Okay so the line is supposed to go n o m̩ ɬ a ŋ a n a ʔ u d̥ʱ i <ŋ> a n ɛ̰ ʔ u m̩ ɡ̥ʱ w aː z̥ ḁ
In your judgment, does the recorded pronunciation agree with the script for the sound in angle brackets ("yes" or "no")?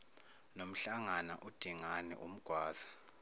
yes